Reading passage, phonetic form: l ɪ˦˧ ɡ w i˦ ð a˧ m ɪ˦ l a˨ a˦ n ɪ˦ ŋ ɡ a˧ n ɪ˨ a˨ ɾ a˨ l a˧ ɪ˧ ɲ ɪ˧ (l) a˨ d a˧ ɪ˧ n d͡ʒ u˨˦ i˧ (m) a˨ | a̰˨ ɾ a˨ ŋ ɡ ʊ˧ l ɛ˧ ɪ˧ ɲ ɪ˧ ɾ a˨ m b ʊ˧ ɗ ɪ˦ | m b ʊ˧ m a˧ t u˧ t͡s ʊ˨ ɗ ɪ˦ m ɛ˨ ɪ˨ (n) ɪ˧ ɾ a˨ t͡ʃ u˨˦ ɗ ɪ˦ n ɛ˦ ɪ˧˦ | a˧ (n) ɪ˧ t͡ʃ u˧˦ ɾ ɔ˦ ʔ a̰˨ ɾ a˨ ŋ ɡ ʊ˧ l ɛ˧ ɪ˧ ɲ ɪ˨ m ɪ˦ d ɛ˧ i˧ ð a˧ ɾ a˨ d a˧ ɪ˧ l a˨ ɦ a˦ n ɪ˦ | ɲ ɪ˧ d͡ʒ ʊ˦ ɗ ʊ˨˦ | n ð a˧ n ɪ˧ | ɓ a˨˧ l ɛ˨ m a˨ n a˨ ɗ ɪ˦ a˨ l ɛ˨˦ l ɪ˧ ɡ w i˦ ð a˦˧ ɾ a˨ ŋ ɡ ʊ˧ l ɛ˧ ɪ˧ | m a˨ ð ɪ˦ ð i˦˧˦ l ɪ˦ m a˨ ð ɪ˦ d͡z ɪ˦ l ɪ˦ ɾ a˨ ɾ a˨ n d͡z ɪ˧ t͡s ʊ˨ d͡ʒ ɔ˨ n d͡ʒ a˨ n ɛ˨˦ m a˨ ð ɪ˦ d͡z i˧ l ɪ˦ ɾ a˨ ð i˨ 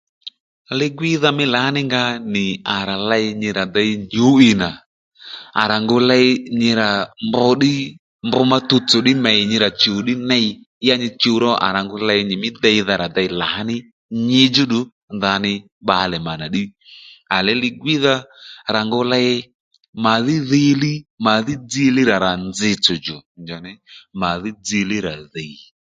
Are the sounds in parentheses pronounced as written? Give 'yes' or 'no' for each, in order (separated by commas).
no, no, no, no